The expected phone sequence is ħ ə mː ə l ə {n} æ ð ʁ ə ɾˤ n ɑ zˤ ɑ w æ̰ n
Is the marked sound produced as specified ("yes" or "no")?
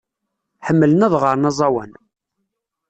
yes